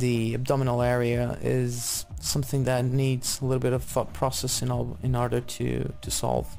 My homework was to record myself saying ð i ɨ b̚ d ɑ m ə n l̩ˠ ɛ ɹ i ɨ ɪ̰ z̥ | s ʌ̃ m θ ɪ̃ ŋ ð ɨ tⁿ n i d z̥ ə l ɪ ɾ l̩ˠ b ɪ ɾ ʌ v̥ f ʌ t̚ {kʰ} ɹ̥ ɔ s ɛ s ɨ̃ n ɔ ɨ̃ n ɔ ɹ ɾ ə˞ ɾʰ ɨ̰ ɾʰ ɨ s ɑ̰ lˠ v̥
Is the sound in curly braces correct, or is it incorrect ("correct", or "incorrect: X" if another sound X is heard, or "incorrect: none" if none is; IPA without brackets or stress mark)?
incorrect: pʰ